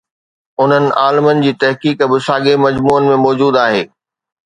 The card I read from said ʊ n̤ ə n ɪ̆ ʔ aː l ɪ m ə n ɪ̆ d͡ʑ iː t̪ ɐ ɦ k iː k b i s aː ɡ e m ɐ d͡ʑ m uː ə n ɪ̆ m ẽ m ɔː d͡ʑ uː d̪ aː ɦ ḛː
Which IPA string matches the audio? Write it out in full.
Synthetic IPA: ʊ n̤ ə n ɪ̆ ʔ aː l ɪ m ə n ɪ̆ d͡ʑ iː t̪ ɐ ɦ k iː k b ɪ s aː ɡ e m ɐ d͡ʑ m uː ə n ɪ̆ m ẽ m ɔː d͡ʑ uː d̪ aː ɦ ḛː